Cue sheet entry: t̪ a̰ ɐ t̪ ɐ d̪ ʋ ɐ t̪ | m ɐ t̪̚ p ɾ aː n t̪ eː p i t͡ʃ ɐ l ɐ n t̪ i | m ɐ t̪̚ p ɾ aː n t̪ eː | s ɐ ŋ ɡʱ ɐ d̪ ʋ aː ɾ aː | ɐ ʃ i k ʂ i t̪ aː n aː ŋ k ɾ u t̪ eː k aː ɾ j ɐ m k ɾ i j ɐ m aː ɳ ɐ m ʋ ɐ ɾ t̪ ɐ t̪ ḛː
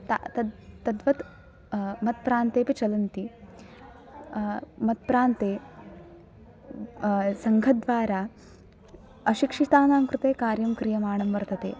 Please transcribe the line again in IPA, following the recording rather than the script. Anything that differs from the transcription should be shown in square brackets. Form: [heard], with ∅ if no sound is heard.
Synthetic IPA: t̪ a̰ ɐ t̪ ɐ d̪ ʋ ɐ t̪ | m ɐ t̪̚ p ɾ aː n t̪ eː p i t͡ʃ ɐ l ɐ n t̪ i | m ɐ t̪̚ p ɾ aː n t̪ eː | s ɐ ŋ ɡʱ ɐ d̪ ʋ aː ɾ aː | ɐ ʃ i k ʂ i t̪ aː n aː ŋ k ɾ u t̪ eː k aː ɾ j ɐ m k ɾ i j ɐ m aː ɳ ɐ m ʋ ɐ ɾ t̪ ɐ t̪ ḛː